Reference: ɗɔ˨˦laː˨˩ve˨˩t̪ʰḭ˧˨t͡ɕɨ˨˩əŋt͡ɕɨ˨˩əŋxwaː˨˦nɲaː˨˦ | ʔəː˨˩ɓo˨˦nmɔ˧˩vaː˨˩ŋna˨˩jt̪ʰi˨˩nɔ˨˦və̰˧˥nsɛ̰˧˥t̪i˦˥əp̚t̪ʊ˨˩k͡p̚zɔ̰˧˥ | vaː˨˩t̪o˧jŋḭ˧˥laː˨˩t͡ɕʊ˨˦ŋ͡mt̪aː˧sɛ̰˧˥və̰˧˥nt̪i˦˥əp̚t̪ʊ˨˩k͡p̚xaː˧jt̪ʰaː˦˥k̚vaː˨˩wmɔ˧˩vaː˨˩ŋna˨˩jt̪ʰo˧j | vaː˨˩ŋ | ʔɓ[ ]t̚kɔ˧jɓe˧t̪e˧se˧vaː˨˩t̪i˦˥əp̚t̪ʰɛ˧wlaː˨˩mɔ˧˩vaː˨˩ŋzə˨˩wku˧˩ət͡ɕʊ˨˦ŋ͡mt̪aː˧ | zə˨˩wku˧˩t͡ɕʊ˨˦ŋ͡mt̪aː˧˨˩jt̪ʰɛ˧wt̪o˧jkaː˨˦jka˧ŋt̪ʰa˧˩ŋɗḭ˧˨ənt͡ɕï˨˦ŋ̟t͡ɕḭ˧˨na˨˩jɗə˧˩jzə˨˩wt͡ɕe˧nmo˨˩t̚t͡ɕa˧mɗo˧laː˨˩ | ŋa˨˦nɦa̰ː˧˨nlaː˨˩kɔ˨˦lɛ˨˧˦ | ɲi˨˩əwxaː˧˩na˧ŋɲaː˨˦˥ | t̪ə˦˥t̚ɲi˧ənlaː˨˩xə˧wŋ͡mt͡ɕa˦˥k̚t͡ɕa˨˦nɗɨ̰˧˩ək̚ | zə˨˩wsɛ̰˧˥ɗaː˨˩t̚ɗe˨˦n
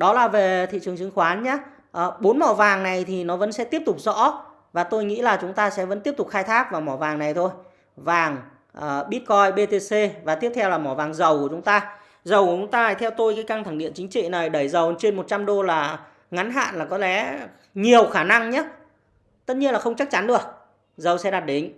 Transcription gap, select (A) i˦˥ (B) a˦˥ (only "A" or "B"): A